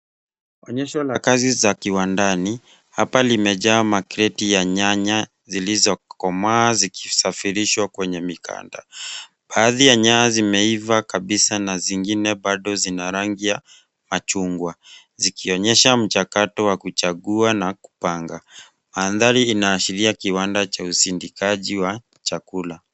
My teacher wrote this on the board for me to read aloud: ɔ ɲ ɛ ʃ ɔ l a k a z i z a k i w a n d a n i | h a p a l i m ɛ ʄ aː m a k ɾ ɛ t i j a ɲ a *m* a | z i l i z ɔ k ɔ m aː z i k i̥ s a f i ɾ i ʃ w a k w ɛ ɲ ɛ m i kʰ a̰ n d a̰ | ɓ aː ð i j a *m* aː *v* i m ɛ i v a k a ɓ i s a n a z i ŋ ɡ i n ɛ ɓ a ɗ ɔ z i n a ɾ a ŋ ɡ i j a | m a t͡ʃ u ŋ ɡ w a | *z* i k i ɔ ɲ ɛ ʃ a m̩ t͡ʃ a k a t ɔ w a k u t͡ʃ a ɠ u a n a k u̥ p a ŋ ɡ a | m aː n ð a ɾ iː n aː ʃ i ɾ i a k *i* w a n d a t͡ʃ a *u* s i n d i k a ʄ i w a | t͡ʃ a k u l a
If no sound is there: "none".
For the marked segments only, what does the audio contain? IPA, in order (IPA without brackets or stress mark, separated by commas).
ɲ, ɲ, z, z, i, u